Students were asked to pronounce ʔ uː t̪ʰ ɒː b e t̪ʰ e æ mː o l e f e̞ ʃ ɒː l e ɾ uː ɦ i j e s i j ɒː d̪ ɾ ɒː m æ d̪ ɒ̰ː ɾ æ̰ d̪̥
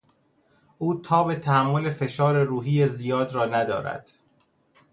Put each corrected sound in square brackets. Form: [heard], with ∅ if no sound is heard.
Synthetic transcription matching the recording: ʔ uː t̪ʰ ɒː b e t̪ʰ [æ] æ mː o l e f e̞ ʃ ɒː [ɾ] e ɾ uː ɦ i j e [z] i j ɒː d̪ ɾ ɒː [n] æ d̪ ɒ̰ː ɾ æ̰ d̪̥